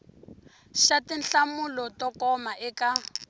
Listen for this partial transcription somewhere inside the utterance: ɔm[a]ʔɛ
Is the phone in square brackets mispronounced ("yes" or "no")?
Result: no